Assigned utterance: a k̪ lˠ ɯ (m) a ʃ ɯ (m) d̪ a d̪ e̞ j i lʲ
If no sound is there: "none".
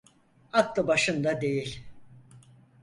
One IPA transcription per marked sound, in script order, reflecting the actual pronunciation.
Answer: b, n

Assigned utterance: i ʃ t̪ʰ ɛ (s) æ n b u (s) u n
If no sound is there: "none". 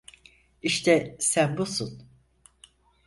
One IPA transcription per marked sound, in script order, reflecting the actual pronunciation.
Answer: s, s

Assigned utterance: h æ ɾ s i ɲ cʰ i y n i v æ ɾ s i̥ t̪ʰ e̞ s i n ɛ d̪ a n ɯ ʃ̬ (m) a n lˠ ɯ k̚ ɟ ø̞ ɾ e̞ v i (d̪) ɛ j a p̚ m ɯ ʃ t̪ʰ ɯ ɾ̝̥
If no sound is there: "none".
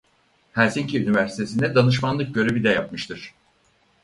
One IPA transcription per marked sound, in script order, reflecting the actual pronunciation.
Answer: m, d̪

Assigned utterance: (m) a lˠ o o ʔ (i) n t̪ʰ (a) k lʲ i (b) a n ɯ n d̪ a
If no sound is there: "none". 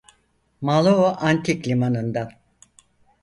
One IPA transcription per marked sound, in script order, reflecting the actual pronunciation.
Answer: m, a, i, m

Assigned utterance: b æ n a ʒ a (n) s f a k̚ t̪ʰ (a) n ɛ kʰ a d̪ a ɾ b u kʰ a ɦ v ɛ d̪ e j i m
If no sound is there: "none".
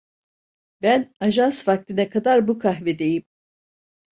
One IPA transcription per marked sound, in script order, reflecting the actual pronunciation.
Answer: n, i

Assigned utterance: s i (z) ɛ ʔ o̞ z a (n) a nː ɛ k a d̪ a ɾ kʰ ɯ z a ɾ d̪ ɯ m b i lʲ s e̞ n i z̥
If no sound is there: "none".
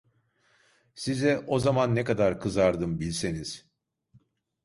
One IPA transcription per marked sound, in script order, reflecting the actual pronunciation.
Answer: z, m

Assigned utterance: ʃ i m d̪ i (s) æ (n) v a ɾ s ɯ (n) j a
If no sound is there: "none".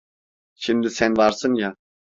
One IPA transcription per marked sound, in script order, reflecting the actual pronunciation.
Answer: s, n, n

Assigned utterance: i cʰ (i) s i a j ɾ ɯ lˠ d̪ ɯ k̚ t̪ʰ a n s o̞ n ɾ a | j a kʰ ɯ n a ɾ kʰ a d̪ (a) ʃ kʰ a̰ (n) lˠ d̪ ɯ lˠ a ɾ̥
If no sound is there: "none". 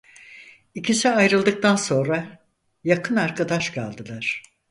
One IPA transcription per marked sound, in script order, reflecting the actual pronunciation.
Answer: i, a, none

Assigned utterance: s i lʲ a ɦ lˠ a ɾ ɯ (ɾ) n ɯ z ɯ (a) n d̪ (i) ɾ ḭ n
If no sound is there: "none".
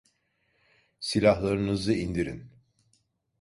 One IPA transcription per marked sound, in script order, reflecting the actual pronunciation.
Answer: none, i, i

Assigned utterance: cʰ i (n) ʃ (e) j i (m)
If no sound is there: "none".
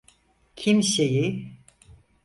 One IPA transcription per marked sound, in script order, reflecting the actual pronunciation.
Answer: m, e, none

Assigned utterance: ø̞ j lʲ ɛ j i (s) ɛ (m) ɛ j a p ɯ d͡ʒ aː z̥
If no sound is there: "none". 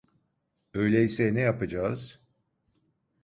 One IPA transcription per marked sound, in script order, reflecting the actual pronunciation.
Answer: s, n

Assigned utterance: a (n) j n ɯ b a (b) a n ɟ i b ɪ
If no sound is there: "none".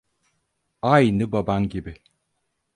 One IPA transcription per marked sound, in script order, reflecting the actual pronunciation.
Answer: none, b

